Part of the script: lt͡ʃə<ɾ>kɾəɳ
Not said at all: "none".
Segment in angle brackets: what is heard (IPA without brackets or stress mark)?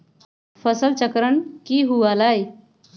none